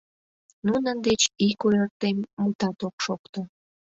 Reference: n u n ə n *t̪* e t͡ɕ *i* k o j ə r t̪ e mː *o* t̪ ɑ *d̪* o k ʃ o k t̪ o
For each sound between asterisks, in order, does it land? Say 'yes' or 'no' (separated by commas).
no, yes, no, no